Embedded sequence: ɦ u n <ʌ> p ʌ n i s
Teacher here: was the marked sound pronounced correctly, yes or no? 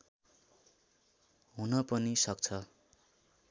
yes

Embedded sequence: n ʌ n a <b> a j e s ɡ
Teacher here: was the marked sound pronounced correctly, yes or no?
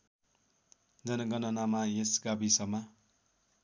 no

